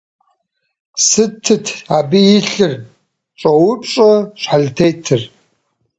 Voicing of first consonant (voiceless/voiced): voiceless